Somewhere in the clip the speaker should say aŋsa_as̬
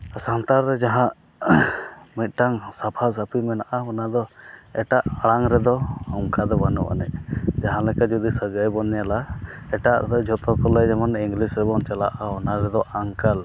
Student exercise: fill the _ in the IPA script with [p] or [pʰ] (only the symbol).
pʰ